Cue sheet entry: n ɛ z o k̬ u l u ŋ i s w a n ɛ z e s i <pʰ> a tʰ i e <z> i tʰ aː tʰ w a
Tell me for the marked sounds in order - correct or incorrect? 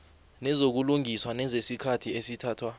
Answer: incorrect, incorrect

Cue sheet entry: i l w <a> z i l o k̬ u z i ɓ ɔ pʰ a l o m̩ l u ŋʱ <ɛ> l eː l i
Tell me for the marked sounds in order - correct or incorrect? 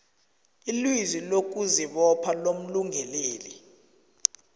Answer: incorrect, correct

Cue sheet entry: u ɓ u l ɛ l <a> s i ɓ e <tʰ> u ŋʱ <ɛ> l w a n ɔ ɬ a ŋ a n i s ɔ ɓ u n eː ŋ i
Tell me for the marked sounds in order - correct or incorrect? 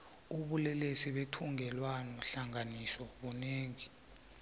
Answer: incorrect, correct, correct

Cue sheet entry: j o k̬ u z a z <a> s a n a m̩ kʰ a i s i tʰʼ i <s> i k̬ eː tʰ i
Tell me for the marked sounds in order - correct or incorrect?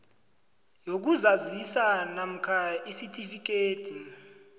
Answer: incorrect, incorrect

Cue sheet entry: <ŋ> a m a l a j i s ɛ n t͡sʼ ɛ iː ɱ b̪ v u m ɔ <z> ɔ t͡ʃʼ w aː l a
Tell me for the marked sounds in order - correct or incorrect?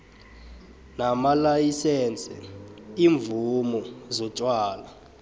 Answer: incorrect, correct

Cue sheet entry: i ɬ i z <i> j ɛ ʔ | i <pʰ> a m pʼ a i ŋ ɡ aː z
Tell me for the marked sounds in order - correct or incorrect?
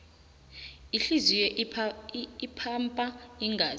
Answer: correct, correct

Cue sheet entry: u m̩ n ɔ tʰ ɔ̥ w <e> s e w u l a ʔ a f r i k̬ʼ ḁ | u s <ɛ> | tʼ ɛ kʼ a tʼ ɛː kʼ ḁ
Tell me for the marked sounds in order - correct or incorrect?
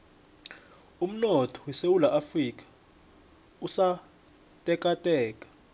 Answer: incorrect, incorrect

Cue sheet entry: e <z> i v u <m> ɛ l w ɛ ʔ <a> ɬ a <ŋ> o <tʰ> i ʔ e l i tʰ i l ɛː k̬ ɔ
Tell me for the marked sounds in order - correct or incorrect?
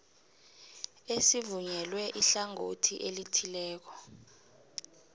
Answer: incorrect, incorrect, incorrect, correct, correct

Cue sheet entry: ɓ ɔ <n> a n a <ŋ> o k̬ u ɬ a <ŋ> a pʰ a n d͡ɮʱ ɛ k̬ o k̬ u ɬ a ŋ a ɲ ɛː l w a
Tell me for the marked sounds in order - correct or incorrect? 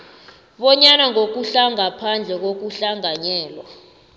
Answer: incorrect, correct, correct

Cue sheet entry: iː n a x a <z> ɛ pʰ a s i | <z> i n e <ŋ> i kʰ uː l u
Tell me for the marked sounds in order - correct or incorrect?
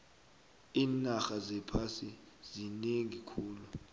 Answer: correct, correct, correct

